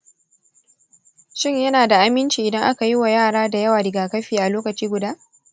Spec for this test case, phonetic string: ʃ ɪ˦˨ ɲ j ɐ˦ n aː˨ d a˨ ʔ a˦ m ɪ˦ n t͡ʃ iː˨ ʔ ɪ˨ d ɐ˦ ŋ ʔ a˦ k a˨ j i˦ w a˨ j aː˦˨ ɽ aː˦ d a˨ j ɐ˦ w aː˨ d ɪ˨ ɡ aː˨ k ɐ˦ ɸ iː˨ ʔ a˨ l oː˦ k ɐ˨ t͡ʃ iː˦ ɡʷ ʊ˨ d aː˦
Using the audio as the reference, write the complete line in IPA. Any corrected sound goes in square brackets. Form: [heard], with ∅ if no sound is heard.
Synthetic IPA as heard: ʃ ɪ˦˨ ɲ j ɐ˦ n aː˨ d a˨ ʔ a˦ m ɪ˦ n t͡ʃ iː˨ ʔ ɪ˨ d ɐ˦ ŋ ʔ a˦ k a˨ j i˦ w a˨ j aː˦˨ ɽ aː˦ d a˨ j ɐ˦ w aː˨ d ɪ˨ ɡ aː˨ k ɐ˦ ɸ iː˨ ʔ a˨ l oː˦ k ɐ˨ t͡ʃ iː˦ ɡʷ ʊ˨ d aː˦